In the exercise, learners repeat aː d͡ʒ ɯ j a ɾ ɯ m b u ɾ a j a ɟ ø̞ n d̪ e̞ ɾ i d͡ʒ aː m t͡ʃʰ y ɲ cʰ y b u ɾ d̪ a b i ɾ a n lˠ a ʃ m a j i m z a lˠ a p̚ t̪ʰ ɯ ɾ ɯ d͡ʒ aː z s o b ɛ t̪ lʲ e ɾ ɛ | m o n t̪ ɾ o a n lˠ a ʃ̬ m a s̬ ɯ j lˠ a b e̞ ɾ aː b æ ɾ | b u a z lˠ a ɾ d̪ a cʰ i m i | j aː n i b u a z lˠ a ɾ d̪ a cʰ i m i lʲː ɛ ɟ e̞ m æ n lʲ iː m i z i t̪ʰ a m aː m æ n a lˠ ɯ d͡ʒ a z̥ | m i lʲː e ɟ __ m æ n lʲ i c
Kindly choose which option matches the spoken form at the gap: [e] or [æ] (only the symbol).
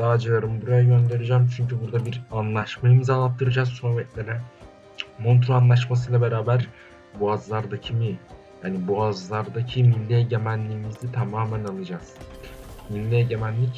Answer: e